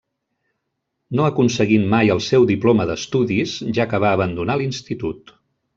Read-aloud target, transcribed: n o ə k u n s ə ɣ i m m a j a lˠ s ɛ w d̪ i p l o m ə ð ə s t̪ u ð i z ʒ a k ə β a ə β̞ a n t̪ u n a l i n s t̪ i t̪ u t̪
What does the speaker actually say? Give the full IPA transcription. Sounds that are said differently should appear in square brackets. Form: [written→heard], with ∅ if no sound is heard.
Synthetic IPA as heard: n o ə k u n s ə ɣ i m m a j [a→ə] lˠ s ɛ w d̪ i p l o m ə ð ə s t̪ u ð i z ʒ a k ə β a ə β̞ [a→ə] n [t̪→d̪] u n a l i n s t̪ i t̪ u t̪